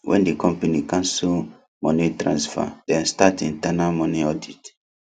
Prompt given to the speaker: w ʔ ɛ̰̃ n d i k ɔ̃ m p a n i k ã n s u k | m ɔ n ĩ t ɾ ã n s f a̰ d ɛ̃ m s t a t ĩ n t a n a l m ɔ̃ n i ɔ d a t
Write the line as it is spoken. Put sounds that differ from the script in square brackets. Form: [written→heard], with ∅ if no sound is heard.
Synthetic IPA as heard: w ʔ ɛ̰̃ n d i k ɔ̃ m p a n i k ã n s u [k→∅] | m ɔ n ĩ t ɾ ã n s f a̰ d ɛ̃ [m→n] s t a t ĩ n t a n a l m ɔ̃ n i ɔ d [a→i] t